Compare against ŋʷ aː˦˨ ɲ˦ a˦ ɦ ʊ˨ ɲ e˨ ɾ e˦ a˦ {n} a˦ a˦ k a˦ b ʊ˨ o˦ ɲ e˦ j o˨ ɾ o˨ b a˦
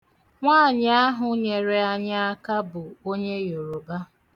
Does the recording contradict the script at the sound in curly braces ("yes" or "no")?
yes